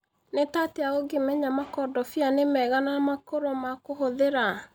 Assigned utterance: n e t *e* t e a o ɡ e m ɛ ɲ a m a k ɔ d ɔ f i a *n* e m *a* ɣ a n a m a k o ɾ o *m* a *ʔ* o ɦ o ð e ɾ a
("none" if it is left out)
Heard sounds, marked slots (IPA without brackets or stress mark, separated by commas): a, n, ɛ, m, k